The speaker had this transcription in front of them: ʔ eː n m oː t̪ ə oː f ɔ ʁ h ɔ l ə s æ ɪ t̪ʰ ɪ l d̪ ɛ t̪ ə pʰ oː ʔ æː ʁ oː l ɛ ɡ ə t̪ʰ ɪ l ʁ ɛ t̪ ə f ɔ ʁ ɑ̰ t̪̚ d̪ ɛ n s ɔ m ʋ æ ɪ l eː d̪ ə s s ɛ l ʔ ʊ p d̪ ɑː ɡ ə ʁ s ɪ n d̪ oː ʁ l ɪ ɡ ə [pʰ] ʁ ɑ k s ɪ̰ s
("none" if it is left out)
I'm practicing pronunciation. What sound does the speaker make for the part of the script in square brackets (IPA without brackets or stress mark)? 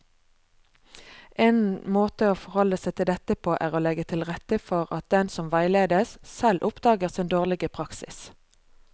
pʰ